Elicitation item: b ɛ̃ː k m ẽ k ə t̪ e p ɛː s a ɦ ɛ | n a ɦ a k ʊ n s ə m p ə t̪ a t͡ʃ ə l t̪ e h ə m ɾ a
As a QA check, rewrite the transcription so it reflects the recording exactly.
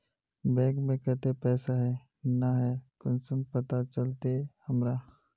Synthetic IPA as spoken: b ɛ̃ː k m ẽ k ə t̪ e p ɛː s a ɦ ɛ | n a ɦ ɛ k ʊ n s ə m p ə t̪ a t͡ʃ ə l t̪ e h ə m ɾ a